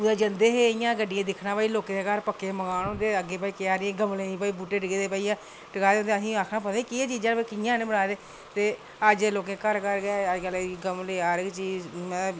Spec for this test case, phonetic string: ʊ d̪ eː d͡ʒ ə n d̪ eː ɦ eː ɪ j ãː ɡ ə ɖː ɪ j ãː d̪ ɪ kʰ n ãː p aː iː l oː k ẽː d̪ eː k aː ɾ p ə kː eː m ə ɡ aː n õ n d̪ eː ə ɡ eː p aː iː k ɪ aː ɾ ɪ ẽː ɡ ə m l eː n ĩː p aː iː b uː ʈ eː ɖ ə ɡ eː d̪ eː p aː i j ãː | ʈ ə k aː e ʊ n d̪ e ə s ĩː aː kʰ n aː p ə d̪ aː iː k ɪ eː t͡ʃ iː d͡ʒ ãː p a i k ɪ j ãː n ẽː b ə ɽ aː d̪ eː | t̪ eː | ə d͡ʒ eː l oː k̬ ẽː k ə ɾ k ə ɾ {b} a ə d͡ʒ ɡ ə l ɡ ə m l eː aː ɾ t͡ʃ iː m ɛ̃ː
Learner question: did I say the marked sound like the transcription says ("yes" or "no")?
no